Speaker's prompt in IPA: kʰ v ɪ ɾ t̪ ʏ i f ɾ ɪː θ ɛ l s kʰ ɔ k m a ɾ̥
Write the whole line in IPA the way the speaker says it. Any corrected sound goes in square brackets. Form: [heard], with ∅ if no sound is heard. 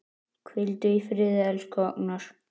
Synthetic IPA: kʰ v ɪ [l] t̪ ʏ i f ɾ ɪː [ð] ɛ l s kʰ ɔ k [n] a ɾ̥